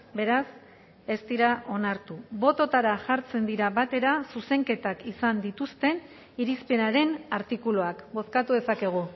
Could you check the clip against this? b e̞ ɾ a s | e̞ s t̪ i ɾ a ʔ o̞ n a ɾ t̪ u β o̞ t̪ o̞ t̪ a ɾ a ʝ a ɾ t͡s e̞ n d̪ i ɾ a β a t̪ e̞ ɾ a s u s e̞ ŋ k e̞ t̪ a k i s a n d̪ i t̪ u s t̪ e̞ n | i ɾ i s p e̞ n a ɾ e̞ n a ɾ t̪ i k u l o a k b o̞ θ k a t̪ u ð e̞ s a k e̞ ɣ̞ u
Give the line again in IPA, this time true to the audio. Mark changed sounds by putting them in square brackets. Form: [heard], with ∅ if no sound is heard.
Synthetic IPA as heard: b e̞ ɾ a s | e̞ s t̪ i ɾ a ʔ o̞ n a ɾ t̪ u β o̞ t̪ o̞ t̪ a ɾ a ʝ a ɾ t͡s e̞ n d̪ i ɾ a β a t̪ e̞ ɾ a s u s e̞ ŋ k e̞ t̪ a k i s a n d̪ i t̪ u s t̪ e̞ n | i ɾ i s p e̞ n a ɾ e̞ n a ɾ t̪ i k u l o a k b o̞ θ k a t̪ u ð e̞ s a k e̞ ɣ̞ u